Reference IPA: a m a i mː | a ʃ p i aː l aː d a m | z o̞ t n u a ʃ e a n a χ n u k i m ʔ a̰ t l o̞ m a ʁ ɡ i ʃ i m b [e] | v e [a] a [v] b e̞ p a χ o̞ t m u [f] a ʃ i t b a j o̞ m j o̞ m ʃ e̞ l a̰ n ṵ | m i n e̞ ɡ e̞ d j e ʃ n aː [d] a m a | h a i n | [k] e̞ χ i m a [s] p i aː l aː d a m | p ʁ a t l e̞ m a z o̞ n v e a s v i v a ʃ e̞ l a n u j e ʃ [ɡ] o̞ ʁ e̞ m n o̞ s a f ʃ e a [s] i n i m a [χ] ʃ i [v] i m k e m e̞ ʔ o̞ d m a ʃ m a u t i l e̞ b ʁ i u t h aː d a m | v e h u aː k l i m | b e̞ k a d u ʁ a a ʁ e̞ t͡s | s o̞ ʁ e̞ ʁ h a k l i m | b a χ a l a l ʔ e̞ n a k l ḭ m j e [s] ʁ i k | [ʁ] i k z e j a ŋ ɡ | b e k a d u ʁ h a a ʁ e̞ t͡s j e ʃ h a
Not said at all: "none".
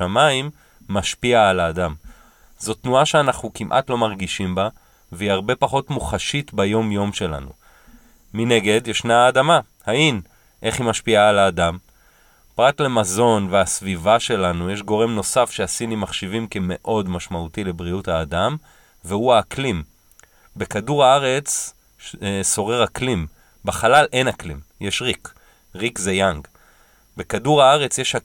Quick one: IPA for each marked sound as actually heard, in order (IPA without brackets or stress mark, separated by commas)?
a, i, ʁ, χ, d, ʔ, ʃ, ɡ, s, χ, v, ʃ, ʁ